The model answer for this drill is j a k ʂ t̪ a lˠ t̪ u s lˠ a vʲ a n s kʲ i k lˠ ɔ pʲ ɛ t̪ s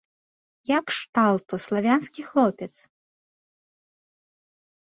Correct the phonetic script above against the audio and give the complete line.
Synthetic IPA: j a k ʂ t̪ a lˠ t̪ u s lˠ a vʲ a n s kʲ i x lˠ ɔ pʲ ɛ t̪ s